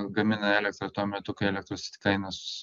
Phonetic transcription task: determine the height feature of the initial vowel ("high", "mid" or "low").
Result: low